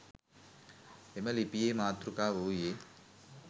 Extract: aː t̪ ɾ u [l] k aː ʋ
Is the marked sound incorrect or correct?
incorrect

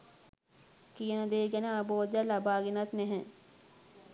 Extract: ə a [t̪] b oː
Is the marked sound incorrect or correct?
incorrect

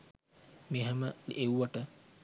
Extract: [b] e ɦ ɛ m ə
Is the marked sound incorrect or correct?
incorrect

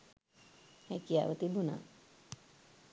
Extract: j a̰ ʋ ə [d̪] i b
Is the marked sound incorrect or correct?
incorrect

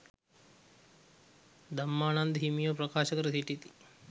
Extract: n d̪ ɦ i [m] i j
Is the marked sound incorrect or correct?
correct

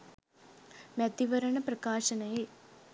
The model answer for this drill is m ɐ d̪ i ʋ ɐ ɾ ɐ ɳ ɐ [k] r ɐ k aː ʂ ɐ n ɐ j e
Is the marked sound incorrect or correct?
incorrect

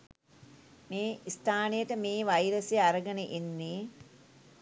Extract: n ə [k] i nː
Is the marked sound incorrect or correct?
incorrect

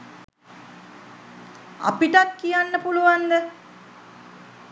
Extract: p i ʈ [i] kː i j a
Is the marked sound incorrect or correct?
incorrect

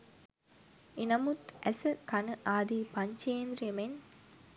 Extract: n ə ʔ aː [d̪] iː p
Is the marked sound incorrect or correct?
correct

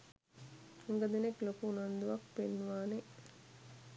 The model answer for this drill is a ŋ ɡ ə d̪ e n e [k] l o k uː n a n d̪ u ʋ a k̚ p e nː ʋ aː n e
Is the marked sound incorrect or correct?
correct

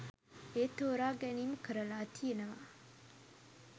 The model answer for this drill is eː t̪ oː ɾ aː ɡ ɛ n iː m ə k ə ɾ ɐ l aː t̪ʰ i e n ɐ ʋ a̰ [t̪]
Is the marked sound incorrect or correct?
incorrect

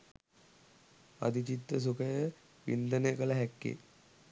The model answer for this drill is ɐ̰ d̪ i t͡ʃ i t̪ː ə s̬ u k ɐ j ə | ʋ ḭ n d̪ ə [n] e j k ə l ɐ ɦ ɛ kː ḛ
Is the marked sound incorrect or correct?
correct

